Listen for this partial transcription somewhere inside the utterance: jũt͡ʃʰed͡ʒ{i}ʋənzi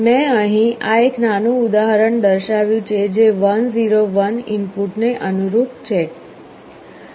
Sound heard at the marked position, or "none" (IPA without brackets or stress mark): e